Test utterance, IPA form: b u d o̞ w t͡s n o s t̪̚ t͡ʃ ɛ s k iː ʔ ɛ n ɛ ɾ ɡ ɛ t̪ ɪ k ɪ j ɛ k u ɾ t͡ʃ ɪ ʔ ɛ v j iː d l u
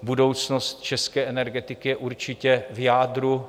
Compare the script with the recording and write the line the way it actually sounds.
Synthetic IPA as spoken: b u d o̞ w t͡s n o s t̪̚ t͡ʃ ɛ s k ɛː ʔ ɛ n ɛ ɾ ɡ ɛ t̪ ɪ k ɪ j ɛ ʔ u ɾ t͡ʃ ɪ c ɛ v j aː d ɾ u